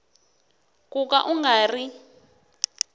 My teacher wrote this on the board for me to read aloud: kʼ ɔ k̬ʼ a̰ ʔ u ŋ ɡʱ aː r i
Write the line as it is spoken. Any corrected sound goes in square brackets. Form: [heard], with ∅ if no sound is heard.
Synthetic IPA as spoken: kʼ [u] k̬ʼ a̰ ʔ u ŋ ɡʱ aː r i